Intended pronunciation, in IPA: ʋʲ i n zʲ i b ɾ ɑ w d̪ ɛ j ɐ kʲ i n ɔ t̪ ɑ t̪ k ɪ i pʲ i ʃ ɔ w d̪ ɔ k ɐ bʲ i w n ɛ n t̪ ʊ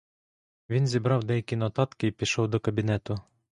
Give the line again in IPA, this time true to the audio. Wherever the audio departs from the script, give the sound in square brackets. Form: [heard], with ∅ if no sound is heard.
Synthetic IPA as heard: ʋʲ i n zʲ i b ɾ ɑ w d̪ ɛ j ɐ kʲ i n ɔ t̪ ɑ t̪ k ɪ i pʲ i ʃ ɔ w d̪ ɔ k ɐ bʲ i [∅] n ɛ [∅] t̪ ʊ